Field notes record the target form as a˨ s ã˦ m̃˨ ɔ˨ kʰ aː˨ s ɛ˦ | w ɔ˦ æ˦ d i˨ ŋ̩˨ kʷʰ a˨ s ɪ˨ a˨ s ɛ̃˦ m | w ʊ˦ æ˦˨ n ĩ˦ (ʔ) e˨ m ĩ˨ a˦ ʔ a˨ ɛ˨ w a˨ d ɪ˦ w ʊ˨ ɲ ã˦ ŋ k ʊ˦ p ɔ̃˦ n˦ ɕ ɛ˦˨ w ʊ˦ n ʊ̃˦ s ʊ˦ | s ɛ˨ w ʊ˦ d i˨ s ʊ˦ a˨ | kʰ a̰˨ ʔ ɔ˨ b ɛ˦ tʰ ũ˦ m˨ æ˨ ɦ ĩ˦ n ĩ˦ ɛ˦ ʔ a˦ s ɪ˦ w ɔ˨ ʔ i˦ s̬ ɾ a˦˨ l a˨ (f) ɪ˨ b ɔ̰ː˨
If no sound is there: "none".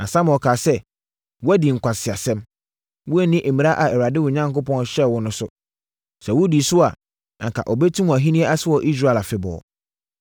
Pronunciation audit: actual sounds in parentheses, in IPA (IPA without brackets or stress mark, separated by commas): ʔ, f